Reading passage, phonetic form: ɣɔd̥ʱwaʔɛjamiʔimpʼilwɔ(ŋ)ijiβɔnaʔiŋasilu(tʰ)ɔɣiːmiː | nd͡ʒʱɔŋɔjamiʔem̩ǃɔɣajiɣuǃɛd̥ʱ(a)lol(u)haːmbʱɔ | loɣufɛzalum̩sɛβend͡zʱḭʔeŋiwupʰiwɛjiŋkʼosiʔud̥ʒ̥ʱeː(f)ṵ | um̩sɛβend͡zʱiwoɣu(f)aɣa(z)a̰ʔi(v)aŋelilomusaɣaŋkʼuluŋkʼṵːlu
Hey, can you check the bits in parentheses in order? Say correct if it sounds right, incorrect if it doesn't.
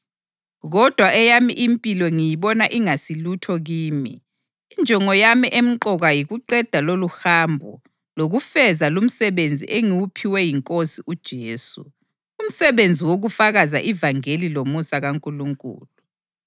correct, correct, correct, correct, incorrect: s, correct, correct, correct

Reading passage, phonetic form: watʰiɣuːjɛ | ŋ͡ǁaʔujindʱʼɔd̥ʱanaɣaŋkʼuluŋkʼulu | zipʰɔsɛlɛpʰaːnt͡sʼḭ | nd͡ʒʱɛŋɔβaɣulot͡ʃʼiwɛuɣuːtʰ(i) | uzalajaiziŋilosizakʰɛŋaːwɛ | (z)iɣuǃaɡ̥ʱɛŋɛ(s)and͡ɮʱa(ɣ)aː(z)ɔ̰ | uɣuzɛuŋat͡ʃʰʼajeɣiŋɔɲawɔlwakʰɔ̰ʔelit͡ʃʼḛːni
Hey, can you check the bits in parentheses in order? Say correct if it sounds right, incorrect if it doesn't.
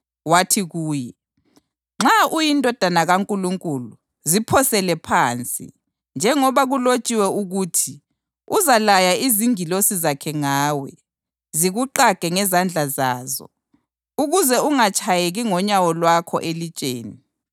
correct, correct, incorrect: z, incorrect: z, correct

